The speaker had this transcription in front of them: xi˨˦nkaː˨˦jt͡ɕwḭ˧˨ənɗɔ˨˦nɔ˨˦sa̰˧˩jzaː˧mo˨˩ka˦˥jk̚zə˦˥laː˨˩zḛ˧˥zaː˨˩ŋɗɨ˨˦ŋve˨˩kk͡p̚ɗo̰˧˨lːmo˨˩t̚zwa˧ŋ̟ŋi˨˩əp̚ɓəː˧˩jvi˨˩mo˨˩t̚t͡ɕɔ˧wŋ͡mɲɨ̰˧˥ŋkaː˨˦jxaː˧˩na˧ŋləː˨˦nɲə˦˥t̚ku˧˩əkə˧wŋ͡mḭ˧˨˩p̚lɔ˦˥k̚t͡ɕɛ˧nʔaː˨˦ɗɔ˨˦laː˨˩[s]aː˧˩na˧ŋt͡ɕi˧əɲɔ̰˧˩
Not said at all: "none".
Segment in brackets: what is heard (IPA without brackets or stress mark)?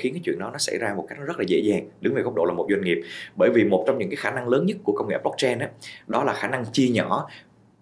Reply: x